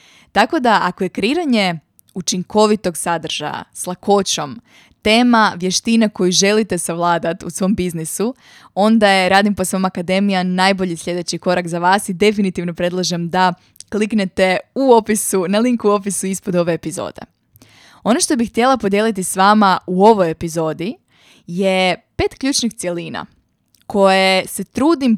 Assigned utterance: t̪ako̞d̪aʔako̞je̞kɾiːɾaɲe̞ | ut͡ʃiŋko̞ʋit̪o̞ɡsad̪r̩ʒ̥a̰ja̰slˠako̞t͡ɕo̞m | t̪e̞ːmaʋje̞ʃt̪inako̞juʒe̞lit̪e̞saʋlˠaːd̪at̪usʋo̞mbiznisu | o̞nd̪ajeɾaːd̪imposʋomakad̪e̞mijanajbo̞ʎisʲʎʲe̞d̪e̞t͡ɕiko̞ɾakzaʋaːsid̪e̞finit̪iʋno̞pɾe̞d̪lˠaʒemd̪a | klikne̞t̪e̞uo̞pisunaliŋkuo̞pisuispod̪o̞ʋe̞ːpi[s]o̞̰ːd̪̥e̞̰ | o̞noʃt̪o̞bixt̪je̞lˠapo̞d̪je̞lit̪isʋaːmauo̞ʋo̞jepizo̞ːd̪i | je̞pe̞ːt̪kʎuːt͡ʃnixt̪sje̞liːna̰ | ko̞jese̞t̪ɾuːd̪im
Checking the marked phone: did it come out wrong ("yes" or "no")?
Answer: yes